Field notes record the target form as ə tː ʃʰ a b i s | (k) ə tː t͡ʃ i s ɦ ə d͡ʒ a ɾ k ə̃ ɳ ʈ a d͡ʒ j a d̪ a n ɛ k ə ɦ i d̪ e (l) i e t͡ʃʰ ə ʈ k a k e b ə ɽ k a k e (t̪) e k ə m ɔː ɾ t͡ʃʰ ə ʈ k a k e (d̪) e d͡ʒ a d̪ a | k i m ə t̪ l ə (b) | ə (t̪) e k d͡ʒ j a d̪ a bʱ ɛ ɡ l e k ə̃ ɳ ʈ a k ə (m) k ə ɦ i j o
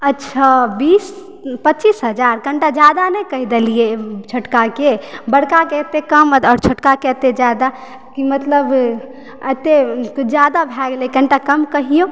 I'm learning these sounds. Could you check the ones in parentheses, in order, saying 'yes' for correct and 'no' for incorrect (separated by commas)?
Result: no, yes, yes, no, yes, yes, yes